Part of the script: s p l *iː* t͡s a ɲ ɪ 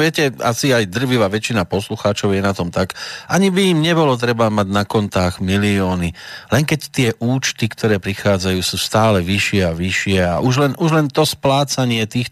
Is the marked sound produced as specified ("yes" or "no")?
no